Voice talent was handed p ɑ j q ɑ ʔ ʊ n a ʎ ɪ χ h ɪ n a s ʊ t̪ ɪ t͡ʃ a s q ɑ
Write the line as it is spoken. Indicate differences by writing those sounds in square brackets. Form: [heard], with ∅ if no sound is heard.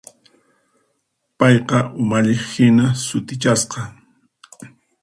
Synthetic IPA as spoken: p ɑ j q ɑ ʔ ʊ [m] a ʎ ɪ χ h ɪ n a s ʊ t̪ ɪ t͡ʃ a s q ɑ